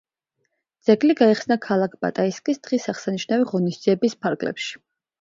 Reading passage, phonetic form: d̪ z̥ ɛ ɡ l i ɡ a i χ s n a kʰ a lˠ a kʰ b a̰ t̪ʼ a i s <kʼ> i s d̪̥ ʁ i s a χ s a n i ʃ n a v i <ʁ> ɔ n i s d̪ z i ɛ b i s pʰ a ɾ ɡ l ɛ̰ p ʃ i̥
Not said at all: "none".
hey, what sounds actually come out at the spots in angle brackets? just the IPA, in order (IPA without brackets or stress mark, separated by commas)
kʼ, ʁ